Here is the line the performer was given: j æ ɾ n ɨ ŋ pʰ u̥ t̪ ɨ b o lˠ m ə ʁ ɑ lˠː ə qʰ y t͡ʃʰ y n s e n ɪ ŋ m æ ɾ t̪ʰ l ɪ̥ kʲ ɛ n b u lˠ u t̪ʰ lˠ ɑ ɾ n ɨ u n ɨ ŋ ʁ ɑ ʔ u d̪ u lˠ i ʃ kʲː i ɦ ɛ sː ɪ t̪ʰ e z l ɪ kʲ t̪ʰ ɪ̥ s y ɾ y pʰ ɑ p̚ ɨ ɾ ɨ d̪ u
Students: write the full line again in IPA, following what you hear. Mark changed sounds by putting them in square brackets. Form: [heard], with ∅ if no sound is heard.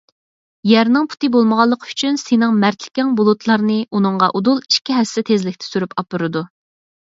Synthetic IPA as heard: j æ ɾ n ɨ ŋ pʰ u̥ t̪ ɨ b o lˠ m ə ʁ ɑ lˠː ə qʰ y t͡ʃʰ y n s e n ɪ ŋ m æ ɾ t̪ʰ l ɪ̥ kʲ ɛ [ŋ] b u lˠ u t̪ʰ lˠ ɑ ɾ n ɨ u n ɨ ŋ ʁ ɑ ʔ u d̪ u lˠ i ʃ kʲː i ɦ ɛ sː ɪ t̪ʰ e z l ɪ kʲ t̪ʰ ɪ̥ s y ɾ y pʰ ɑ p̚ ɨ ɾ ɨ d̪ u